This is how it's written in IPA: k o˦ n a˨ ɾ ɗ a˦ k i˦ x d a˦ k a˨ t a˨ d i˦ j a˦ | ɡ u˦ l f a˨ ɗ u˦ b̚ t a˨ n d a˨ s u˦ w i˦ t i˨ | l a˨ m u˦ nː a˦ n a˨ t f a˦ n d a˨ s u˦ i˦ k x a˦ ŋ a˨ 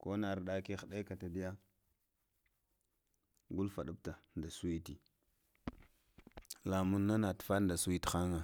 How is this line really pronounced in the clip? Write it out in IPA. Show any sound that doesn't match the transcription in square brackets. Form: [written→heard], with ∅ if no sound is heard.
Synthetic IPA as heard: k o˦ n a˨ ɾ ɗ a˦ k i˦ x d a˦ k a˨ t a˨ d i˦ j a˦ | ɡ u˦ l f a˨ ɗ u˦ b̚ t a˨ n d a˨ s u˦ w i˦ t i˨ | l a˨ m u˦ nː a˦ n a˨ t f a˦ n d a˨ s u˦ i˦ [k→t] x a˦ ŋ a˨

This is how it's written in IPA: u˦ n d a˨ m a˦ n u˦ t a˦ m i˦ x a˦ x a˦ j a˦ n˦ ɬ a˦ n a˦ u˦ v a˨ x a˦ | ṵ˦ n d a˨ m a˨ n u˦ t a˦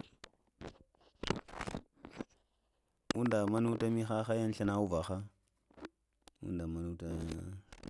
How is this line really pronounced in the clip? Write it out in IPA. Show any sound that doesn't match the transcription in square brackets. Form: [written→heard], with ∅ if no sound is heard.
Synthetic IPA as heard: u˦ n d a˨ m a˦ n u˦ t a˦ m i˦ x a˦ x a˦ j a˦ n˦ ɬ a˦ n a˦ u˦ v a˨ x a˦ | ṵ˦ n d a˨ m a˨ n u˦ t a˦

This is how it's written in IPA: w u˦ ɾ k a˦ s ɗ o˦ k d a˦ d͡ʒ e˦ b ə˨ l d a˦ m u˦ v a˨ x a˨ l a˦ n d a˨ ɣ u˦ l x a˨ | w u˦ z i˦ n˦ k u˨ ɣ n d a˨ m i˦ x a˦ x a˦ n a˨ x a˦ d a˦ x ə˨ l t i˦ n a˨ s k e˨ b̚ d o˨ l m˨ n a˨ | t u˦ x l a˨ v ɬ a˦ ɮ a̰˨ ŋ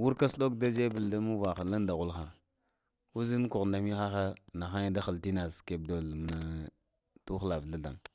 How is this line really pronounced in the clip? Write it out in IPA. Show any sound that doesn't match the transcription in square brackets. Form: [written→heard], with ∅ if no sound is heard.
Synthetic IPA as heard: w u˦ ɾ k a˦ s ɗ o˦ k d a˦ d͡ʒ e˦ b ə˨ l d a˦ m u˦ v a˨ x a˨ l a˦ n d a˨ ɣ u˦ l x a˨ | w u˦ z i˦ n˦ k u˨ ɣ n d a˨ m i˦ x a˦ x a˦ n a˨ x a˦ d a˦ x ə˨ l t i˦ n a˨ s k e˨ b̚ d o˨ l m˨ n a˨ | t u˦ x l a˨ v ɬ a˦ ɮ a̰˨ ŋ

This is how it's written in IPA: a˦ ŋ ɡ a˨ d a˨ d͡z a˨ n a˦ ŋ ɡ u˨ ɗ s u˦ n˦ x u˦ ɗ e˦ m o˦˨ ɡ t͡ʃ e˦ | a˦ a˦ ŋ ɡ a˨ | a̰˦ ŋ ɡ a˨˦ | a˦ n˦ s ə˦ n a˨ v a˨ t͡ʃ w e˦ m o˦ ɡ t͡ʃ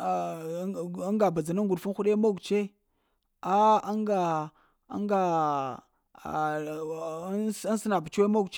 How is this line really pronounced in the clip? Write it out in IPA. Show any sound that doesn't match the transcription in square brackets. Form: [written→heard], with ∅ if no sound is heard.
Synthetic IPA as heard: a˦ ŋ ɡ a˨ [d→b] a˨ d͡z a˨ n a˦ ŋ ɡ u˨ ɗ [s→f] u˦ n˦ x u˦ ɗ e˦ m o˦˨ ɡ t͡ʃ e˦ | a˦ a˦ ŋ ɡ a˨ | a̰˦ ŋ ɡ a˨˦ | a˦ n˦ s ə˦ n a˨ [v→b] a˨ t͡ʃ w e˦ m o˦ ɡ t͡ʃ

